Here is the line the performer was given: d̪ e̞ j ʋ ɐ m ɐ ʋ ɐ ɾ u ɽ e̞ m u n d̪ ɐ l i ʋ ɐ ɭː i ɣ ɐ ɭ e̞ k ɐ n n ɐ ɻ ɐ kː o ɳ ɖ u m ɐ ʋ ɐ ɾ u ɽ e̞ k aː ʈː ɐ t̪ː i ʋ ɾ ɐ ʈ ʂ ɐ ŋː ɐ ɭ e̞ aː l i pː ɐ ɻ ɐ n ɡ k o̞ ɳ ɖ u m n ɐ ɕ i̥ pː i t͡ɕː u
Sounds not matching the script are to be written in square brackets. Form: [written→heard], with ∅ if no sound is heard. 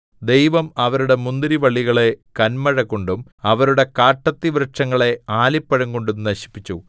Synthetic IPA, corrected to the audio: d̪ e̞ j ʋ ɐ m ɐ ʋ ɐ ɾ u ɽ e̞ m u n d̪ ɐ [l→ɾ] i ʋ ɐ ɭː i ɣ ɐ ɭ e̞ k ɐ n [n→m] ɐ ɻ ɐ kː o ɳ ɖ u m ɐ ʋ ɐ ɾ u ɽ e̞ k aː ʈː ɐ t̪ː i ʋ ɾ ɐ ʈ ʂ ɐ ŋː ɐ ɭ e̞ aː l i pː ɐ ɻ ɐ [n→ŋ] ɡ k o̞ ɳ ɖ u m n ɐ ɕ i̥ pː i t͡ɕː u